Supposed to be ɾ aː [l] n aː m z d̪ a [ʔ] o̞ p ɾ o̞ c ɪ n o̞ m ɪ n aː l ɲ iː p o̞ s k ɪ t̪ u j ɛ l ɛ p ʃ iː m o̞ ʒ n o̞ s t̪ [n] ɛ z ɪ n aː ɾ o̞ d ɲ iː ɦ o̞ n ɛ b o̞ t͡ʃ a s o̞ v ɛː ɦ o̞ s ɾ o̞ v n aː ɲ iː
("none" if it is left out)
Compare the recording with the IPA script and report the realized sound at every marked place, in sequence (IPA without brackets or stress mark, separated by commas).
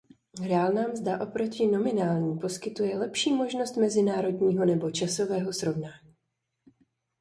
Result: l, ʔ, m